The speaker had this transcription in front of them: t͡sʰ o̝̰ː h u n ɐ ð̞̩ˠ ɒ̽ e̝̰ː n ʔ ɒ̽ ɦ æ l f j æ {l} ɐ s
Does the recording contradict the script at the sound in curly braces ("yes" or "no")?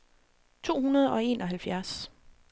yes